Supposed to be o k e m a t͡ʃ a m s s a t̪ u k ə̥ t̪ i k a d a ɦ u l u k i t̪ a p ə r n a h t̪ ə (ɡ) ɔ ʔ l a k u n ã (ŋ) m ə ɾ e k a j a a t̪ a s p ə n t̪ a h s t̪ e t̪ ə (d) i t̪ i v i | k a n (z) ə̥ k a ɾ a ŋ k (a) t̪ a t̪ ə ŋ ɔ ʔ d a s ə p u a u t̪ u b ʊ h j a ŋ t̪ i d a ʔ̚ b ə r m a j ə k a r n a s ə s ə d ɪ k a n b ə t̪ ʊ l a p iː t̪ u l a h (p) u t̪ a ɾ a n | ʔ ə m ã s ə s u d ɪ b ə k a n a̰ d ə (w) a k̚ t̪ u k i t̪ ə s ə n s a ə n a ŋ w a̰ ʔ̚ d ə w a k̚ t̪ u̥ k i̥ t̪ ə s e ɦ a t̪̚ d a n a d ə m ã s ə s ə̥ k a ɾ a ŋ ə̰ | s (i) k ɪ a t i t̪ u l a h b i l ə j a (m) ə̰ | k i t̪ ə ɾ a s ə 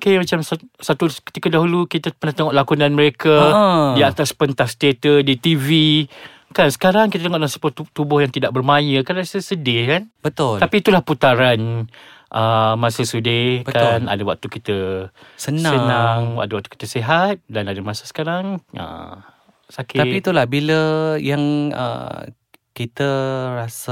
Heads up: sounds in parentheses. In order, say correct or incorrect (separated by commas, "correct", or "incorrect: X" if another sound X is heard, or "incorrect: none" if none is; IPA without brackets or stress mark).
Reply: incorrect: ŋ, incorrect: n, correct, incorrect: s, incorrect: i, correct, correct, incorrect: a, incorrect: ŋ